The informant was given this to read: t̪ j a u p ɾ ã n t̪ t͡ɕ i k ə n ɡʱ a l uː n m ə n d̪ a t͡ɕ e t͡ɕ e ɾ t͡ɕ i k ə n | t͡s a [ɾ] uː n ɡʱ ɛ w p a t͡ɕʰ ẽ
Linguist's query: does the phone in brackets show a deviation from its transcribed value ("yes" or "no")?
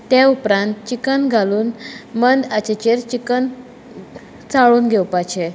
yes